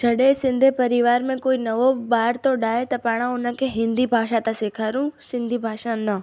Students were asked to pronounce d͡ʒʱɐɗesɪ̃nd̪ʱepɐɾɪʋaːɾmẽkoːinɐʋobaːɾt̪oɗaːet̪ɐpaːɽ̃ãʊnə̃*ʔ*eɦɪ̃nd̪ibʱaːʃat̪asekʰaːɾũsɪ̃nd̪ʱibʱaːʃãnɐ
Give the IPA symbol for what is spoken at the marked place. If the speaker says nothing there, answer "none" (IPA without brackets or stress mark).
k